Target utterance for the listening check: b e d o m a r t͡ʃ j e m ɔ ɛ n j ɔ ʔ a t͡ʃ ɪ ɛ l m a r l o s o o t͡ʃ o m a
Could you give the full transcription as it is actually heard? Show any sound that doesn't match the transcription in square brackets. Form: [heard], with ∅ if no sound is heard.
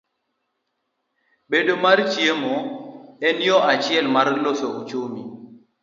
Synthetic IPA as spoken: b e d o m a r t͡ʃ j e m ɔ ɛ n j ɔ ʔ a t͡ʃ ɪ ɛ l m a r l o s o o t͡ʃ o m [i]